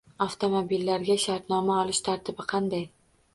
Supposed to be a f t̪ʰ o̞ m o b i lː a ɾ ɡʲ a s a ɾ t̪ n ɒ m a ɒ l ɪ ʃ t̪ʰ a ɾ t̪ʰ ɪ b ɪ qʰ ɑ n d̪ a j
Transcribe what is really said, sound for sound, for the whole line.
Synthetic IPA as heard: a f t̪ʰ o̞ m o b i lː a ɾ ɡʲ a ʃ a ɾ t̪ n ɒ m a ɒ l ɪ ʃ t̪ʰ a ɾ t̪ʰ ɪ b ɪ qʰ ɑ n d̪ a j